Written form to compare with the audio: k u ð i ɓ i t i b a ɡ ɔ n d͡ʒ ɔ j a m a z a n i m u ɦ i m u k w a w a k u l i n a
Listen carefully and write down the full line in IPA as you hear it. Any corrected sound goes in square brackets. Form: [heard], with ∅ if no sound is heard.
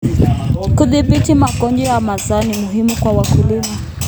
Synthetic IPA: k u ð i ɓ i t i [m] a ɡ ɔ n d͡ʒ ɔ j a m a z a n i m u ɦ i m u k w a w a k u l i [m] a